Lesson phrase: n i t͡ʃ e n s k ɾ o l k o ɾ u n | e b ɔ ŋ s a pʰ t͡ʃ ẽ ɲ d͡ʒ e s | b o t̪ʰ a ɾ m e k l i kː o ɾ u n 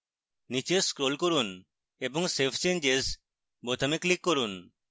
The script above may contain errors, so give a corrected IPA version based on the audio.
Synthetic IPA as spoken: n i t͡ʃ e s k ɾ o l k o ɾ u n | e b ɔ ŋ s e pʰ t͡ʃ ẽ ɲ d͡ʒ e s | b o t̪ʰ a m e k l i kː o ɾ u n